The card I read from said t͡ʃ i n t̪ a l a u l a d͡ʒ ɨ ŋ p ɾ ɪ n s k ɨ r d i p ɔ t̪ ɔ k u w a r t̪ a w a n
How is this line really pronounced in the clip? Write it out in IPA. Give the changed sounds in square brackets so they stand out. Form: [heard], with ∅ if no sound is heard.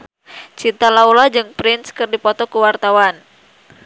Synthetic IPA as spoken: t͡ʃ i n t̪ a l a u l a d͡ʒ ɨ ŋ p ɾ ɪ n s k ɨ r d i p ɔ t̪ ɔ k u w a r t̪ a w a n